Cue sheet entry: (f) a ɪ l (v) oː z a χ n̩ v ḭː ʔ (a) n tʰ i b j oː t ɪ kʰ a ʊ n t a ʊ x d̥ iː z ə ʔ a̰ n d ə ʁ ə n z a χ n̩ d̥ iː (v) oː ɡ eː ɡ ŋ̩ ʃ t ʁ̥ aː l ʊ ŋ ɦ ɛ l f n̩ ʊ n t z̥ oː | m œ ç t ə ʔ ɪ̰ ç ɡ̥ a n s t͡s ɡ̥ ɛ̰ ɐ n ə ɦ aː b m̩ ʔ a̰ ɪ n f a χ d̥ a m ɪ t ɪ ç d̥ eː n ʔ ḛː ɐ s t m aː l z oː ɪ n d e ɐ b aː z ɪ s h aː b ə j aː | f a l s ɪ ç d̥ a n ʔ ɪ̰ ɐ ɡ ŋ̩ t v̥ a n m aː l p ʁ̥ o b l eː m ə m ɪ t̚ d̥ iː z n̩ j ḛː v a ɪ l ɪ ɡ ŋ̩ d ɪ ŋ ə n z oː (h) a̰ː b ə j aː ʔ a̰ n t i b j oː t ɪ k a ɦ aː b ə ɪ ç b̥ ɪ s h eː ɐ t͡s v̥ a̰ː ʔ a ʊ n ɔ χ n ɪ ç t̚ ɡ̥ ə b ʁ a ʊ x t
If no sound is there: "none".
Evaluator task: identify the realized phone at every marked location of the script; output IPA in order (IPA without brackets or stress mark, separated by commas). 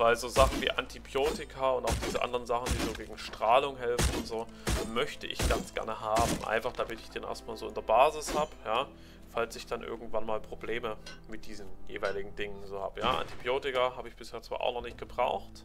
v, z, a, z, h